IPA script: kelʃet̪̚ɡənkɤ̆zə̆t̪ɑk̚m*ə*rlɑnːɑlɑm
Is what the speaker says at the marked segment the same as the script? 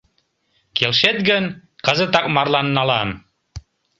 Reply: no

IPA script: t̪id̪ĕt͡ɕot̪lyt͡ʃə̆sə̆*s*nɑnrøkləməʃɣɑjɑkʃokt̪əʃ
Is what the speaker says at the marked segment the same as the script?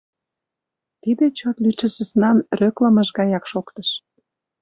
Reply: yes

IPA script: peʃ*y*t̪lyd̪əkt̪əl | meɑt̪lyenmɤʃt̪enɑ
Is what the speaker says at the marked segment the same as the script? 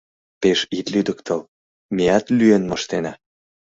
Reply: no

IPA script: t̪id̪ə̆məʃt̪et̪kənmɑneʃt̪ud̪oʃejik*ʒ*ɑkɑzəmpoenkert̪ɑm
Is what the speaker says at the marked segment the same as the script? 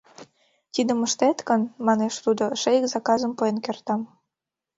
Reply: no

